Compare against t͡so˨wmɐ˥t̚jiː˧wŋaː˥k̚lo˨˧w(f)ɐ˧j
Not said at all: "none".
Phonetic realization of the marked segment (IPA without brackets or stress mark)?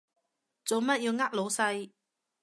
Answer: s